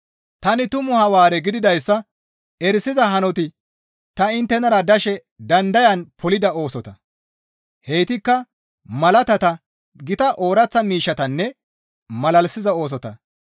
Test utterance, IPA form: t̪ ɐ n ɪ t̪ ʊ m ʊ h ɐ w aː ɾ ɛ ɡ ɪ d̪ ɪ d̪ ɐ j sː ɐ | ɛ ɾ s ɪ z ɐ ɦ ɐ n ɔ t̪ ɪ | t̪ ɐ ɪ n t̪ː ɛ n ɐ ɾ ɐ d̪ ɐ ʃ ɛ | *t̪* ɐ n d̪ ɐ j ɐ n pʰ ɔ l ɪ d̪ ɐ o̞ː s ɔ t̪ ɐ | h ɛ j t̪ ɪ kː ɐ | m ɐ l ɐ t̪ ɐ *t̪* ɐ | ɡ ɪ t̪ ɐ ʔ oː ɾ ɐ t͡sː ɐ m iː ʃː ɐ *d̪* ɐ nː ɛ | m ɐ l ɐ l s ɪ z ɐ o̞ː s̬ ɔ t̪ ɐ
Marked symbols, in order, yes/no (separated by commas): no, yes, no